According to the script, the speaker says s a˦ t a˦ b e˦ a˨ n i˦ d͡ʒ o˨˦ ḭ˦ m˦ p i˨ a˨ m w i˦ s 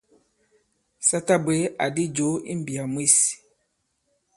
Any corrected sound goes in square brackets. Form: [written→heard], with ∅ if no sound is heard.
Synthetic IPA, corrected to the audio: s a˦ t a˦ b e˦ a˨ [n→d] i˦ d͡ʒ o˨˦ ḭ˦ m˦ [p→b] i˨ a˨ m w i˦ s